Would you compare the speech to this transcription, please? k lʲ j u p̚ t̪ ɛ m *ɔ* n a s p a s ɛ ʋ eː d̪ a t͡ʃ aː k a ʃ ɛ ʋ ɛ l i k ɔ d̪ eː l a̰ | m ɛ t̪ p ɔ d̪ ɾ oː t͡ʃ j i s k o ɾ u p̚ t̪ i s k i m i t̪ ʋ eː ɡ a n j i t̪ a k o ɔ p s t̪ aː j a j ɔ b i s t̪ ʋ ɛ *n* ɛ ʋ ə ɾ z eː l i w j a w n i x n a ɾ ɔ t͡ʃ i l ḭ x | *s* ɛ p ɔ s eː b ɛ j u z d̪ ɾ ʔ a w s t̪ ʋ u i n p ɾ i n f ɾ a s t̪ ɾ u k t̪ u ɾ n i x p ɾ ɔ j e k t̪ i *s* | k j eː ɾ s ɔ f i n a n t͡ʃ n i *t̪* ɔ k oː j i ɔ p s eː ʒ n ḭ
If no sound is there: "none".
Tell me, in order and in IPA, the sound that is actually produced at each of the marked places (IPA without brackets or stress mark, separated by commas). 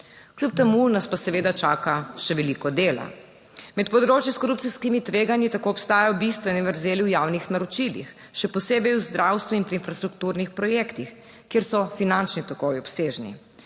u, n, ʃ, x, t̪